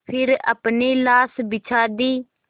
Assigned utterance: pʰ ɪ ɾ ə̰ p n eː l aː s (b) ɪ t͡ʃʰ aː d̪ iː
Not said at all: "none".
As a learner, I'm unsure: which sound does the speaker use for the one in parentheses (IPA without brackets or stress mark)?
b